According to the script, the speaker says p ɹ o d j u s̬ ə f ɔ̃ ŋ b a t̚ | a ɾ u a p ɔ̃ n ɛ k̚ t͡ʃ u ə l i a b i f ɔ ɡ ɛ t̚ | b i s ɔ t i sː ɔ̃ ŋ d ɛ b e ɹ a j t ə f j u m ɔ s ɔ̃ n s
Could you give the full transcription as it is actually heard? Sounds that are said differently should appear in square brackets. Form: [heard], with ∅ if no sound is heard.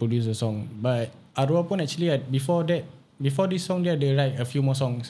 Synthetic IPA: p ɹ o d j u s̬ ə [s] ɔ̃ ŋ b a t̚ | a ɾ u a p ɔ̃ n ɛ k̚ t͡ʃ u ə l i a b i f ɔ [d] ɛ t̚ | b i [f] ɔ [d] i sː ɔ̃ ŋ d ɛ [d] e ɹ a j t ə f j u m ɔ s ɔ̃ [ŋ] s